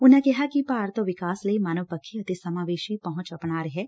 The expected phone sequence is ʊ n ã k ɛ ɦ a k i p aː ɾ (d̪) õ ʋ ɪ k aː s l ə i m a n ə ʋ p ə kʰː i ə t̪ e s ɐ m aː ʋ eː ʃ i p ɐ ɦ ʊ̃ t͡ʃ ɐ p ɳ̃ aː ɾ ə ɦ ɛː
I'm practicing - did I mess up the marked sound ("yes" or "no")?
yes